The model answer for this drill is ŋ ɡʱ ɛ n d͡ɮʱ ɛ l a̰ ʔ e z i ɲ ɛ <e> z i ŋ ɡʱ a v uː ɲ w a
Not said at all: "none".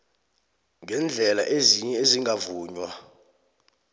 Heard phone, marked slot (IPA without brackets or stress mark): e